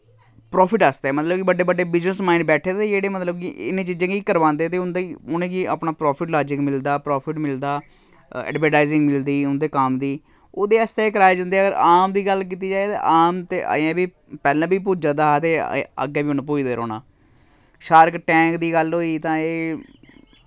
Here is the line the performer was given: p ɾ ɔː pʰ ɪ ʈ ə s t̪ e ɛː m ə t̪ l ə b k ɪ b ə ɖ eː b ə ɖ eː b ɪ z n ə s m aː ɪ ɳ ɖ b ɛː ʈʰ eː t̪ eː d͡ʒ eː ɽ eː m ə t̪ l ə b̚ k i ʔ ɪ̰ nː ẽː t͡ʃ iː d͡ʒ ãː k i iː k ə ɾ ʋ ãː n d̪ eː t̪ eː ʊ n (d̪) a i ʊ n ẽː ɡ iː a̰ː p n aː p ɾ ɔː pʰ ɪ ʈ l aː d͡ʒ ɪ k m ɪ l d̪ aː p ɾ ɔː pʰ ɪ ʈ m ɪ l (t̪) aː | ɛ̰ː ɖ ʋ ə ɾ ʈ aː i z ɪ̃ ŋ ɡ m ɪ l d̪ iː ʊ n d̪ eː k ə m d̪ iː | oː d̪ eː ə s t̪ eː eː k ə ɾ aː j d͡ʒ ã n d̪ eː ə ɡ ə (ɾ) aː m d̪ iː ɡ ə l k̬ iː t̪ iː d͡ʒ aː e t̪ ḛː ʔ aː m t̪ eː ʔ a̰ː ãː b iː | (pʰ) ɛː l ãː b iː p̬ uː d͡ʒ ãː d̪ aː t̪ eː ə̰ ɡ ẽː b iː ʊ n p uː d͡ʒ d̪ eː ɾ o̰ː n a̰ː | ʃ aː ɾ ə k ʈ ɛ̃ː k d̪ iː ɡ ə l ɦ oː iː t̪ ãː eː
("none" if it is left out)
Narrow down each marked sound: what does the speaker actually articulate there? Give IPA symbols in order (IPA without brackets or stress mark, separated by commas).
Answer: d̪, d̪, ɾ, p